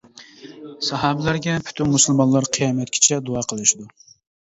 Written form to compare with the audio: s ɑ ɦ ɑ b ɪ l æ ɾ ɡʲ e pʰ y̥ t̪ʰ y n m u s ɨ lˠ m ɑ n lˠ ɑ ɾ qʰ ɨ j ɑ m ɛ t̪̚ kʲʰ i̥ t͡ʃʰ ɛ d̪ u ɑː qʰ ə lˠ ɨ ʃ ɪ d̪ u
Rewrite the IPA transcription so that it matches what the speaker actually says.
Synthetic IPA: s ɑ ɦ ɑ b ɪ l æ ɾ ɡʲ ɛ pʰ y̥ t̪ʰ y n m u s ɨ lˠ m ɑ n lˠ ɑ ɾ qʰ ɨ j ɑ m ɛ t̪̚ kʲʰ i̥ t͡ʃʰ ɛ d̪ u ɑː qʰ ə lˠ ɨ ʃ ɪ d̪ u

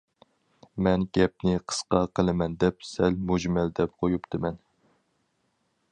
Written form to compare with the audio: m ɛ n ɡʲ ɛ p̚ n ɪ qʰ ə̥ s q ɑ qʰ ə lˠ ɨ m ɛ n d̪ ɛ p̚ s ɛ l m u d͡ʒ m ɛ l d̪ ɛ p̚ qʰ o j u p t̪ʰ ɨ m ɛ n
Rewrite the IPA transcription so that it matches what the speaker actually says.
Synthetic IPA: m ɛ n ɡʲ ɛ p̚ n ɪ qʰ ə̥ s q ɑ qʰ ə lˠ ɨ m ɛ n d̪ ɛ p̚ s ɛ l m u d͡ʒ m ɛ l d̪ ɛ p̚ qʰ o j u p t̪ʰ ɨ m ɛ n

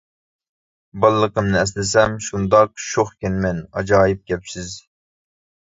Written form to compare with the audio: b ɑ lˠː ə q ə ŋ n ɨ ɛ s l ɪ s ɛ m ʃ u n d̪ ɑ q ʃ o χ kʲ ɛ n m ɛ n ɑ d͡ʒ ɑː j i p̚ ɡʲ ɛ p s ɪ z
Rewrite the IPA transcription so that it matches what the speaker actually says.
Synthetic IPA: b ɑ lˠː ə q ə m n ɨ ɛ s l ɪ s ɛ m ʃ u n d̪ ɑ q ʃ o χ kʲ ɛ n m ɛ n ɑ d͡ʒ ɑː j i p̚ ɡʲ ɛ p s ɪ z

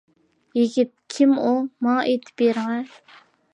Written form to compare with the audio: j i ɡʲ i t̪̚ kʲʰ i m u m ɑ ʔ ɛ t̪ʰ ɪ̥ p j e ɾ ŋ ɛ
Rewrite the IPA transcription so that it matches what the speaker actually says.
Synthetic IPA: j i ɡʲ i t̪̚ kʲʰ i m u m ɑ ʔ e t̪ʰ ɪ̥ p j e ɾ ŋ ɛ

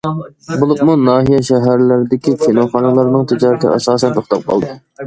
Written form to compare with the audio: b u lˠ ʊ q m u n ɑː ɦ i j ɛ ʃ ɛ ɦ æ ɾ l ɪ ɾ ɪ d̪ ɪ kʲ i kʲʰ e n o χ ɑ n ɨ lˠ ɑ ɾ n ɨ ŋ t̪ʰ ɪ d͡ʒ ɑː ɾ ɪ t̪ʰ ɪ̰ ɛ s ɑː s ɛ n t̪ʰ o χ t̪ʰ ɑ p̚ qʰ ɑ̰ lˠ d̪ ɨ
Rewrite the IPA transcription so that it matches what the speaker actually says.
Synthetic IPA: b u lˠ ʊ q m u n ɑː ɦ i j ɛ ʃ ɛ ɦ æ ɾ l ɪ ɾ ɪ d̪ ɪ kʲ i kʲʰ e n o χ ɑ n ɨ lˠ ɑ ɾ n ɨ ŋ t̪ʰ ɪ d͡ʒ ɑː ɾ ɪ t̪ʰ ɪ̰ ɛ s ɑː s ɛ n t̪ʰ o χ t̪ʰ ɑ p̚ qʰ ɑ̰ lˠ d̪ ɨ

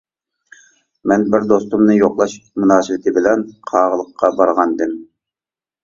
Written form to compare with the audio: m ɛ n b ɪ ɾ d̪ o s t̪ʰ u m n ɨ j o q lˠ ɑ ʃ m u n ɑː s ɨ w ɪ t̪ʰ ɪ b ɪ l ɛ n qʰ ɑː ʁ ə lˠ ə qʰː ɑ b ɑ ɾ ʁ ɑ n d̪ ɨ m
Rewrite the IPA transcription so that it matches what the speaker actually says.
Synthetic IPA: m ɛ n b ɪ ɾ d̪ o s t̪ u m n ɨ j o q lˠ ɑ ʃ m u n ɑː s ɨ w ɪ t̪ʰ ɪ b ɪ l ɛ n qʰ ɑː ʁ ə lˠ ə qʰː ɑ b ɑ ɾ ʁ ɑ n d̪ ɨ m

